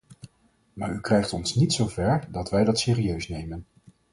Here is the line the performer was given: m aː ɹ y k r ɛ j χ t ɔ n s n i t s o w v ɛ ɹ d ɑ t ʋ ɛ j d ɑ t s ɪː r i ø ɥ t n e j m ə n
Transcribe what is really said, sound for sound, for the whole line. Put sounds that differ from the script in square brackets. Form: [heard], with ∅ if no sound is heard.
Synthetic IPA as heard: m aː ɹ y k r ɛ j χ t ɔ n s n i t s o w v ɛ ɹ d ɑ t ʋ ɛ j d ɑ t s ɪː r i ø ɥ [s] n e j m ə n